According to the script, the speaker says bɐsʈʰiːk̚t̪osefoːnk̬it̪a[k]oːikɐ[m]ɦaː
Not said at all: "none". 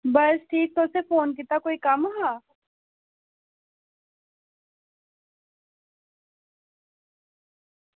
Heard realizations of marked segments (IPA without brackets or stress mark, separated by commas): k, m